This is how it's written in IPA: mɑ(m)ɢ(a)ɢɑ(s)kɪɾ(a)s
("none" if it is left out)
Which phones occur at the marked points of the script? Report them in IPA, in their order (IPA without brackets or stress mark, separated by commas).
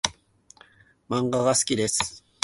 ɴ, ɑ, s, e